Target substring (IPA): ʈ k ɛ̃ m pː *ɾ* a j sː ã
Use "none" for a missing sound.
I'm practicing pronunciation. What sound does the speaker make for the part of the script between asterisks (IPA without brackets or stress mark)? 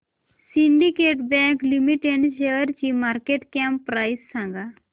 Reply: ɾ